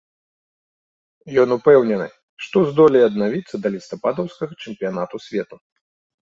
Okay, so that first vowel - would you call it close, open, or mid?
mid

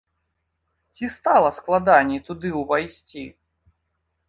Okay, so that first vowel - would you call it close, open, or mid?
close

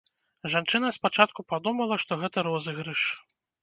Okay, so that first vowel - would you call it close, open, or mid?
open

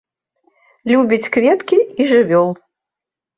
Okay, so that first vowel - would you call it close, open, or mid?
close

